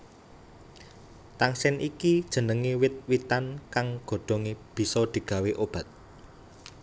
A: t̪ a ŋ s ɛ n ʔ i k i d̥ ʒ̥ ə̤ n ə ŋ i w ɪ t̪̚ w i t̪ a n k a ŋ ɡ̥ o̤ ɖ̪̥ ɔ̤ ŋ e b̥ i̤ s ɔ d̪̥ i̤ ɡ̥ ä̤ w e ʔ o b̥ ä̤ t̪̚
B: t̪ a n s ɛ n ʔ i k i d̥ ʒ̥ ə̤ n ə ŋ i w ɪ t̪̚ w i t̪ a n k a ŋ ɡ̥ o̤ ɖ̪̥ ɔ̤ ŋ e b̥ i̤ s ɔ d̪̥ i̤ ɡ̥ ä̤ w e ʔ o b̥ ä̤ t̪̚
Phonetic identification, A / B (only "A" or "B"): A